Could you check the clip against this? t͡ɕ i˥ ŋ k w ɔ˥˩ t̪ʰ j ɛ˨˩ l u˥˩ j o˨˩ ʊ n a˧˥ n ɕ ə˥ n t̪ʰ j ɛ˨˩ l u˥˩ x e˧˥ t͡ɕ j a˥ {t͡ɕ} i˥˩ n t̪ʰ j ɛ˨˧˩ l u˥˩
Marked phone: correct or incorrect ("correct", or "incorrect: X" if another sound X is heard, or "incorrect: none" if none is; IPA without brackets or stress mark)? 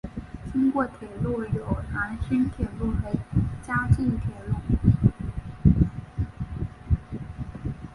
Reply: correct